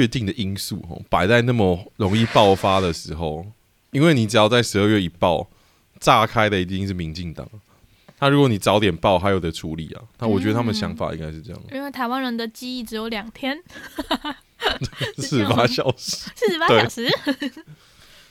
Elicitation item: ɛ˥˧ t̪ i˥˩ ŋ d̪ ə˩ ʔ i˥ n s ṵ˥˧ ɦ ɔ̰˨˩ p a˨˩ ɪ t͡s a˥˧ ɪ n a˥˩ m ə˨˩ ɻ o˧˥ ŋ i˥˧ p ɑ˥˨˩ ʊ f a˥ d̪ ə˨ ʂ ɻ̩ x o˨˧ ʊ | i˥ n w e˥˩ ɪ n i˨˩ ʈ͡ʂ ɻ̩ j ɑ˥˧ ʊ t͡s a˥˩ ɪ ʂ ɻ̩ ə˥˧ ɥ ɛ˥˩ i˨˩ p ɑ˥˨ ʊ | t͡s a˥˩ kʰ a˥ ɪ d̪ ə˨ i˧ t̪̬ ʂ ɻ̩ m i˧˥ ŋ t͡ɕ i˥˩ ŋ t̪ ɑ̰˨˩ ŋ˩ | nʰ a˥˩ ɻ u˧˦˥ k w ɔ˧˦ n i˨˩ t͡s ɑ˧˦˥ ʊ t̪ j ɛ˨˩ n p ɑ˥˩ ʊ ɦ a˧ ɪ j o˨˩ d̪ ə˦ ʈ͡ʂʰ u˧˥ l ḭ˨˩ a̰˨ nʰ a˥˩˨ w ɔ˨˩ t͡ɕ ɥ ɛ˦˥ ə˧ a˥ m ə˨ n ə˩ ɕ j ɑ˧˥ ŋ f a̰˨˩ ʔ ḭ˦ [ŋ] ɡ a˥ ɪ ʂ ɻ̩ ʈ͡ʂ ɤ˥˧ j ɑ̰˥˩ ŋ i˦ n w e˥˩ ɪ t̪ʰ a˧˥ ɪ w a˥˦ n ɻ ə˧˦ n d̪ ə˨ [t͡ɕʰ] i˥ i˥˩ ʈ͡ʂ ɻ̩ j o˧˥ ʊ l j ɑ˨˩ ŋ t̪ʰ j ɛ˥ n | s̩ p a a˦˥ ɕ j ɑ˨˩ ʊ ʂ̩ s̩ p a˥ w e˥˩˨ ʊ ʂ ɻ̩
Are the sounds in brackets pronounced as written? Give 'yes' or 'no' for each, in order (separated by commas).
yes, no